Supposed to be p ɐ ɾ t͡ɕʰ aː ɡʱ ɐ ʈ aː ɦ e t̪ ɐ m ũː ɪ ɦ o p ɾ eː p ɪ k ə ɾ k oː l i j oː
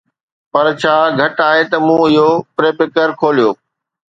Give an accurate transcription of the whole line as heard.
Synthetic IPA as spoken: p ɐ ɾ t͡ɕʰ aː ɡʱ ɐ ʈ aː ɦ e t̪ ɐ m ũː ɪ ɦ o p ɾ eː p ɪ k ə ɾ kʰ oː l i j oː